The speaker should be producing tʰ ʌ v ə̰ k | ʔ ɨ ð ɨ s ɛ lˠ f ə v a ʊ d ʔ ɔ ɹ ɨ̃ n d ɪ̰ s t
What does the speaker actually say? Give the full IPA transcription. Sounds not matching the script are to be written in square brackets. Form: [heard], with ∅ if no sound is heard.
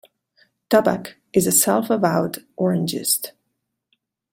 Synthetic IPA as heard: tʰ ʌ [b] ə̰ k | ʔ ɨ [z] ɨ s ɛ lˠ f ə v a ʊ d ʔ ɔ ɹ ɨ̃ n [d͡ʒ] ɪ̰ s t

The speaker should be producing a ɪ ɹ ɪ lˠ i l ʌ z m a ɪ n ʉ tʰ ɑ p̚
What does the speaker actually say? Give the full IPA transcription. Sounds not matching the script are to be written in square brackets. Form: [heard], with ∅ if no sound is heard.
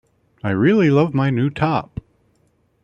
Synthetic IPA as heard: a ɪ ɹ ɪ lˠ i l ʌ [v] m a ɪ n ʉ tʰ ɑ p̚

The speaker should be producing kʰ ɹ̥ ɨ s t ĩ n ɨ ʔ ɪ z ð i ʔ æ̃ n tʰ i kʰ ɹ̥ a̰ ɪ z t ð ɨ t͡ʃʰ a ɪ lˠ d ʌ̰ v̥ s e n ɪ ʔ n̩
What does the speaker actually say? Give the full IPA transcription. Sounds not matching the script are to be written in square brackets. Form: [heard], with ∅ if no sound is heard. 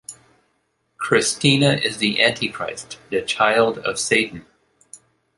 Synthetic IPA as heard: kʰ ɹ̥ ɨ s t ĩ n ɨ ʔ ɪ z ð i ʔ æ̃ n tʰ i kʰ ɹ̥ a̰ ɪ [s] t ð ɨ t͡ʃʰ a ɪ lˠ d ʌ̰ v̥ s e [∅] ɪ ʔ n̩

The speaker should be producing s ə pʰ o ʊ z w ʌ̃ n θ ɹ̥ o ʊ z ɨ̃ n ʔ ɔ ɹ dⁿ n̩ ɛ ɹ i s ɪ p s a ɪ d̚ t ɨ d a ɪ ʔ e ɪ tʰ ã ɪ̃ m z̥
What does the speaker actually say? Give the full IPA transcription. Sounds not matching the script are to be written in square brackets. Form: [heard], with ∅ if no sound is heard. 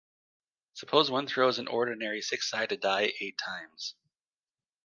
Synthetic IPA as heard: s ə pʰ o ʊ z w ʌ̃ n θ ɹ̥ o ʊ z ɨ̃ n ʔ ɔ ɹ dⁿ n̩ ɛ ɹ i s ɪ [k] s a ɪ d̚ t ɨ d a ɪ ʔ e ɪ tʰ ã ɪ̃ m z̥

